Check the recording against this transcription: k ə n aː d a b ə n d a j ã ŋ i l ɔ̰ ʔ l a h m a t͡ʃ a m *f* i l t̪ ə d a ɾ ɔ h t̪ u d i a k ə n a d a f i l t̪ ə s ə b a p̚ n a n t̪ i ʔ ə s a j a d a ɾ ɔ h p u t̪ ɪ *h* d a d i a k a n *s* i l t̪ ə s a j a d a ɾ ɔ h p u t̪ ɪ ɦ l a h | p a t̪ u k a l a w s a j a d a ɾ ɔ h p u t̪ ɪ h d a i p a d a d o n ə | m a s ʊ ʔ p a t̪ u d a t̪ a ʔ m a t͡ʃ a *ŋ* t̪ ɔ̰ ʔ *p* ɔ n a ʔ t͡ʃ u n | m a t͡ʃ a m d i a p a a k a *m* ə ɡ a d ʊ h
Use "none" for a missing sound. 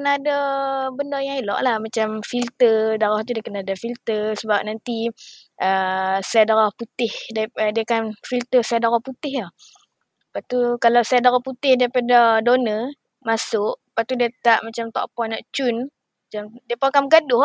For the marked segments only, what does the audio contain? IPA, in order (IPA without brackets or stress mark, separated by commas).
f, h, f, m, p, m